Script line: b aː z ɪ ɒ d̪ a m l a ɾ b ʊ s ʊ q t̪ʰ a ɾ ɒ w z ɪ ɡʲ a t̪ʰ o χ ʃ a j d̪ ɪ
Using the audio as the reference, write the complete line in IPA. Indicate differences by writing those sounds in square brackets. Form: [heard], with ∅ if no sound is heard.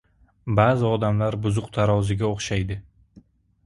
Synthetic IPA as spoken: b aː z ɪ ɒ d̪ a m l a ɾ b ʊ [z] ʊ q t̪ʰ a ɾ ɒ w z ɪ ɡʲ a [∅] o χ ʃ a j d̪ ɪ